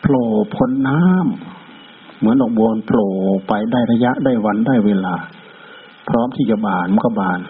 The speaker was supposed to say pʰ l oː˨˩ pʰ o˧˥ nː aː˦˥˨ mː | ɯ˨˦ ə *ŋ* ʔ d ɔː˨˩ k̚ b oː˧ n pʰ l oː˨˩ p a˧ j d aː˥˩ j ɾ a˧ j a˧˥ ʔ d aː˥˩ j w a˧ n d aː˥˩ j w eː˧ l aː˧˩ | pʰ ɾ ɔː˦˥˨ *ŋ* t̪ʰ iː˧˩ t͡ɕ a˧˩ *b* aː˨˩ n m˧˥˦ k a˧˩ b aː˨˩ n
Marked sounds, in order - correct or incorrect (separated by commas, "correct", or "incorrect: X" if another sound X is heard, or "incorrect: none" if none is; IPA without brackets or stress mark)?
incorrect: n, incorrect: m, correct